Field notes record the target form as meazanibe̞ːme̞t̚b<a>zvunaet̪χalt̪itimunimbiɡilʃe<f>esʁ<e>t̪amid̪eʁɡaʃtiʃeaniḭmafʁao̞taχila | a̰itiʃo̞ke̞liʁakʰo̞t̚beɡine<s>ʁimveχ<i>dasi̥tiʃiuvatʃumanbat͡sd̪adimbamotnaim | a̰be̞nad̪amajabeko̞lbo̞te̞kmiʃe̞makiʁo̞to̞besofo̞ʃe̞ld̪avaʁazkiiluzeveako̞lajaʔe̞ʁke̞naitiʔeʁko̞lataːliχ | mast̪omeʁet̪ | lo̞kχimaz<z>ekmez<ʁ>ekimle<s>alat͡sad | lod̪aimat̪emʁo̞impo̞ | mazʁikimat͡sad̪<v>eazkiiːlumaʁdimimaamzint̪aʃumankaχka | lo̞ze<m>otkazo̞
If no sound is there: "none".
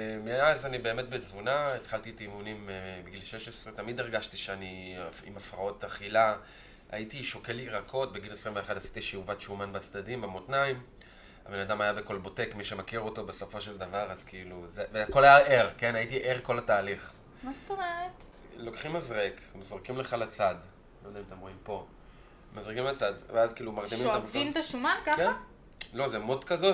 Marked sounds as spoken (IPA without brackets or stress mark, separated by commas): e, ʃ, e, s, a, ʁ, ʁ, χ, v, m